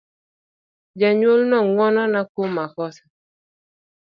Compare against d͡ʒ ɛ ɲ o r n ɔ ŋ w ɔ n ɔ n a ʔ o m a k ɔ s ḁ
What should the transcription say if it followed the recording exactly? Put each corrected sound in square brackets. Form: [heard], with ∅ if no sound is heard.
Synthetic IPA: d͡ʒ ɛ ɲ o [l] n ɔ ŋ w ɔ n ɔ n a [k] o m a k ɔ s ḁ